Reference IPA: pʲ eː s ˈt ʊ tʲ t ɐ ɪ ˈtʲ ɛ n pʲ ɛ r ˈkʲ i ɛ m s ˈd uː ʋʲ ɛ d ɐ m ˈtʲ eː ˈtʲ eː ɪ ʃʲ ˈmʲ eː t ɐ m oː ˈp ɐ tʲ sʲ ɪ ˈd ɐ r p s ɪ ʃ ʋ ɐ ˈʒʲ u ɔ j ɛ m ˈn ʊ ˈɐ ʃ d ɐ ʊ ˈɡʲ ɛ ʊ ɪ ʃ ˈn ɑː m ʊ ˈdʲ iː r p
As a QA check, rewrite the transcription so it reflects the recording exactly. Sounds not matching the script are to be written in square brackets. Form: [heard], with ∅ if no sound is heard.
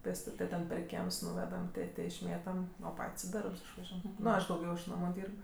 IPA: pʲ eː s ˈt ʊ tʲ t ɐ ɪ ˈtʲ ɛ n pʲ ɛ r ˈkʲ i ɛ m s [ˈn] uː ʋʲ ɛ d ɐ m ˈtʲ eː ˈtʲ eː ɪ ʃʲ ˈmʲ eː t ɐ m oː ˈp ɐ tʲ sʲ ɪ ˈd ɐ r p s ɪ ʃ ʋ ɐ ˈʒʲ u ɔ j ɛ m ˈn ʊ ˈɐ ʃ d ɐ ʊ ˈɡʲ ɛ ʊ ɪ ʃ ˈn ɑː m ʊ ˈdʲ iː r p